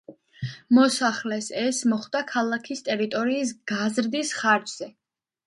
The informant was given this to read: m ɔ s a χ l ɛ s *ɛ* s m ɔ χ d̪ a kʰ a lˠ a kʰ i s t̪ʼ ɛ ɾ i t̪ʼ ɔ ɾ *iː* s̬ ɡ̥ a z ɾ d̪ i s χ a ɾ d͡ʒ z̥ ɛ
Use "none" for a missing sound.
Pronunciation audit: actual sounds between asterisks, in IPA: ɛ, iː

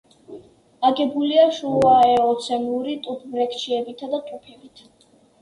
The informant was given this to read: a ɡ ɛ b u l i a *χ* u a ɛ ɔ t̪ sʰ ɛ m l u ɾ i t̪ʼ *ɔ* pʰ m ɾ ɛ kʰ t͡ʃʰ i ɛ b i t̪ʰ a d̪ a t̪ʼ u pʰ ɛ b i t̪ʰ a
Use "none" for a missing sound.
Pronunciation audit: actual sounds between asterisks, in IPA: ʃ, u

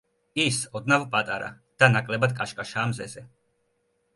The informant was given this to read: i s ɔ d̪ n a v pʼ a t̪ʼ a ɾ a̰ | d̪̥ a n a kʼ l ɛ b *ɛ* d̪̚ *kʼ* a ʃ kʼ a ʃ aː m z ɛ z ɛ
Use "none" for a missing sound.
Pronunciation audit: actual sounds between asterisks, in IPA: a, kʼ

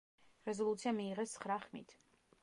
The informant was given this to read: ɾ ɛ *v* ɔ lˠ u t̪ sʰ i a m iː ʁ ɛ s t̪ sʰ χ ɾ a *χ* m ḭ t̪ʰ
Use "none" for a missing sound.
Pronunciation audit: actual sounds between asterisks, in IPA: z, χ

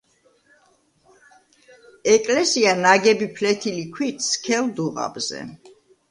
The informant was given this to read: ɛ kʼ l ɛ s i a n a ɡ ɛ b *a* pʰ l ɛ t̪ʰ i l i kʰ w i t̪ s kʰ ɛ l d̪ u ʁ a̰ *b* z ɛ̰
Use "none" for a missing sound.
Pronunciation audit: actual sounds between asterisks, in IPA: i, b

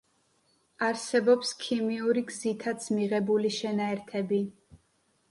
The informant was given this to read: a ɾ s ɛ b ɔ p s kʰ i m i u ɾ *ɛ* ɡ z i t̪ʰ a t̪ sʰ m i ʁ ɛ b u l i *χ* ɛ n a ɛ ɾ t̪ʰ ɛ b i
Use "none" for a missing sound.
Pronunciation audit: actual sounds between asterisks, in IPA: i, ʃ

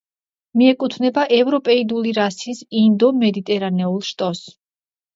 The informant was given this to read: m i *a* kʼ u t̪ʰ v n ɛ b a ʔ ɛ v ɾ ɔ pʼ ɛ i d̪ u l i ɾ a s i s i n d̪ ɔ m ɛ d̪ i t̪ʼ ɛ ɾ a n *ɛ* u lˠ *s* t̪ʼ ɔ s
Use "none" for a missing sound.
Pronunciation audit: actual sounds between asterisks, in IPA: ɛ, ɛ, ʃ

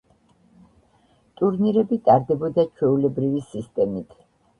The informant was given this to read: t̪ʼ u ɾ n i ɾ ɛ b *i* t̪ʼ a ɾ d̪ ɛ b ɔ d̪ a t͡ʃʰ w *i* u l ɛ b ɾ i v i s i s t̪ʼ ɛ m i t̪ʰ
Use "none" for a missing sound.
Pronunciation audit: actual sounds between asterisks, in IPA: i, ɛ

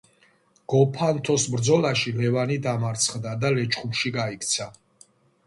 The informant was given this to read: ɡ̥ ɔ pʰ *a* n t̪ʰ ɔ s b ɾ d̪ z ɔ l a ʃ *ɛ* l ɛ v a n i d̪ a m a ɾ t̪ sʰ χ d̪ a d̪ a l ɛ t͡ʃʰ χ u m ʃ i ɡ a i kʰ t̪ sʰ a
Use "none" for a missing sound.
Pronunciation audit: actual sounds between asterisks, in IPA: a, i

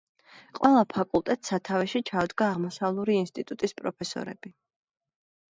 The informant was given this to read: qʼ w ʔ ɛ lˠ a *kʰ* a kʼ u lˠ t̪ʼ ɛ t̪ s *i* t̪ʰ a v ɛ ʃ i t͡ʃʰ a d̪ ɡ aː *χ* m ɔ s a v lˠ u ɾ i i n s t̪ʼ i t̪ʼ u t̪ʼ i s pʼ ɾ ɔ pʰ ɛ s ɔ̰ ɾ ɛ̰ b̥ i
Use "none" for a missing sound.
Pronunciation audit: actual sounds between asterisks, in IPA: pʰ, a, ʁ

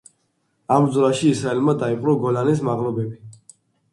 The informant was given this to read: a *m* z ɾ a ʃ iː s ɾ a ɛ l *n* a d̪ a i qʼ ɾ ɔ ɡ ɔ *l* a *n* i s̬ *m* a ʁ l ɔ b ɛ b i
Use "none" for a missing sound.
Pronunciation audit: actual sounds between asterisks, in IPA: m, m, l, n, m

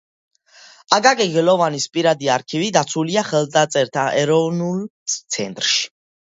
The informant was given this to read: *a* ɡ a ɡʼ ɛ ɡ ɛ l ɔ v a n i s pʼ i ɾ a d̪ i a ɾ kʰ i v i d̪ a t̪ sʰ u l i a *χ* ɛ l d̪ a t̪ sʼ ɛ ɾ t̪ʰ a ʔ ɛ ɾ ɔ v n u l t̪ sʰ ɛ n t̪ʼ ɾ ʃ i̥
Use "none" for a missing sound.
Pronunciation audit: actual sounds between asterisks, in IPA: a, χ

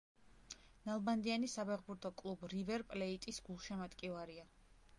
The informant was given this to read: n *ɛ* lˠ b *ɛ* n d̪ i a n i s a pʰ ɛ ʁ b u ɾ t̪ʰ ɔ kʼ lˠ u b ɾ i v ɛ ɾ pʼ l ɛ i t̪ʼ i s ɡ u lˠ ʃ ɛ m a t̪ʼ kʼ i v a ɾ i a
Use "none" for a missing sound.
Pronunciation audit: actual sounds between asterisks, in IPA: a, a

